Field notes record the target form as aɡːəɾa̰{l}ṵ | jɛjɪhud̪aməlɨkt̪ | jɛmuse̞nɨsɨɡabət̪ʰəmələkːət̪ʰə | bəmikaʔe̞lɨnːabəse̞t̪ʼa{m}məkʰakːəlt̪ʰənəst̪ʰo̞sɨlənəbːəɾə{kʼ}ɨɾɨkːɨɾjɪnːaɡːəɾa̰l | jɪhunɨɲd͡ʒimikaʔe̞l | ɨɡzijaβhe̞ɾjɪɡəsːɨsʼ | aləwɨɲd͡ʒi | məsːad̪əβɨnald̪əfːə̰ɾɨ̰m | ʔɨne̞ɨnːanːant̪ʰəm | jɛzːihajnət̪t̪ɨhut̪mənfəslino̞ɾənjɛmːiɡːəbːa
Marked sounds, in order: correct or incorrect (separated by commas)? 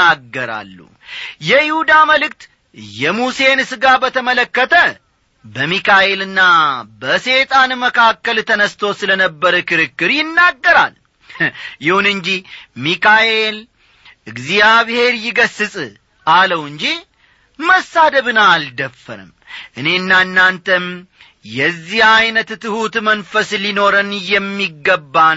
incorrect, incorrect, incorrect